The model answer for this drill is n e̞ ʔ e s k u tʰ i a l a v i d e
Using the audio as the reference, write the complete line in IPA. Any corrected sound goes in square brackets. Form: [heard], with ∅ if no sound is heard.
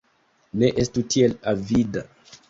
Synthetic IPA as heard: n e̞ ʔ e s [t] u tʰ i [e] l a v i d [a]